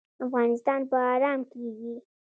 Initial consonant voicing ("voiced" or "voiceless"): voiceless